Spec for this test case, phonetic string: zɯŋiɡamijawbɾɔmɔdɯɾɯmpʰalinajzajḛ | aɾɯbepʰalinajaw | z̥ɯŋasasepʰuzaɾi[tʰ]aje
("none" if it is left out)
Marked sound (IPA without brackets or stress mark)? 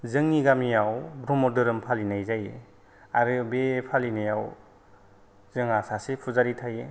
tʰ